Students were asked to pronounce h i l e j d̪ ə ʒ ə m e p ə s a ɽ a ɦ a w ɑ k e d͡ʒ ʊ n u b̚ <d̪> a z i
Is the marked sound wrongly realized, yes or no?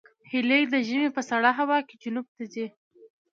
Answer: yes